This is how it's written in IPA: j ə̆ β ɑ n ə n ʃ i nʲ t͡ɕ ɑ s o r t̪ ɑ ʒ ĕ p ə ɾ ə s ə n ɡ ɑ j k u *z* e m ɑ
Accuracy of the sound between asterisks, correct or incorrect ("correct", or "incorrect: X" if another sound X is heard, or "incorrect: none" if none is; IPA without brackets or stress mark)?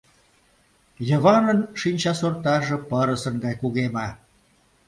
incorrect: ɣ